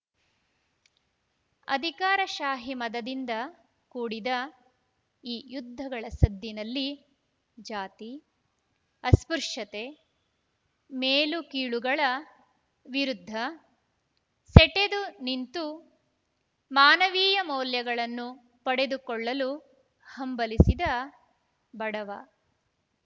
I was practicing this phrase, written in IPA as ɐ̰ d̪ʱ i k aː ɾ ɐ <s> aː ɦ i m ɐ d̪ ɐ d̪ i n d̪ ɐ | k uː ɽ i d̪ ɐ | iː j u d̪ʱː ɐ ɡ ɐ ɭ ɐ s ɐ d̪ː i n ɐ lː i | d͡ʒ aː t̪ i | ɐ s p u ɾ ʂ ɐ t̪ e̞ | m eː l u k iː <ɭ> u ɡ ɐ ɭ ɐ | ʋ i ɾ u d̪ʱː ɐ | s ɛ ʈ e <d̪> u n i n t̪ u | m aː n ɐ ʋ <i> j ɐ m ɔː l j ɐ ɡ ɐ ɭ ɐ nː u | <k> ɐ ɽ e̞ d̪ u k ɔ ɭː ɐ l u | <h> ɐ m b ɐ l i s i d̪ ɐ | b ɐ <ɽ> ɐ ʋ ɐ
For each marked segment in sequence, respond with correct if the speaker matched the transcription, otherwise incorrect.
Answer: incorrect: ʃ, correct, correct, incorrect: iː, incorrect: p, correct, correct

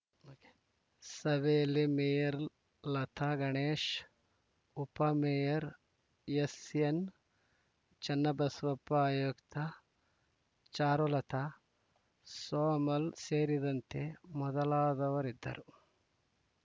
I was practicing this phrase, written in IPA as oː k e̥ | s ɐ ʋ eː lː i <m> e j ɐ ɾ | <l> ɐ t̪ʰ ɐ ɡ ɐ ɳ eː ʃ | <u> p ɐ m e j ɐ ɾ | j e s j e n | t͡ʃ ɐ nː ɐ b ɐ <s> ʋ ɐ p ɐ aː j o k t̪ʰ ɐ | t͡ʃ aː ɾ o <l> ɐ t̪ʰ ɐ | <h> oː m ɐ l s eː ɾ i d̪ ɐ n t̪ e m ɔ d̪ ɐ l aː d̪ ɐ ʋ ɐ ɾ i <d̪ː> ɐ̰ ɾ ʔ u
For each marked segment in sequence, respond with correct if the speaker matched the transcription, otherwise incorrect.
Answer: correct, correct, correct, correct, correct, incorrect: s, correct

